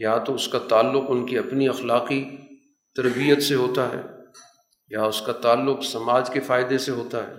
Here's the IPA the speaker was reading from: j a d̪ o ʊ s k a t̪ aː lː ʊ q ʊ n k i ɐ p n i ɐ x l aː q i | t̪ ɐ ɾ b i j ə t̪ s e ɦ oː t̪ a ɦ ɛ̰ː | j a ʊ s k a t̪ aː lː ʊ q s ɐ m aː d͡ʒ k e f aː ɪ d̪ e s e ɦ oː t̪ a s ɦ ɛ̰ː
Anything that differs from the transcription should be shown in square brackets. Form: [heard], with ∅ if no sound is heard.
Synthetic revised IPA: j a [t̪] o ʊ s k a t̪ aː lː ʊ q ʊ n k i ɐ p n i ɐ x l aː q i | t̪ ɐ ɾ b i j ə t̪ s e ɦ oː t̪ a ɦ ɛ̰ː | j a ʊ s k a t̪ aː lː ʊ q s ɐ m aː d͡ʒ k e f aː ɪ d̪ e s e ɦ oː t̪ a [∅] ɦ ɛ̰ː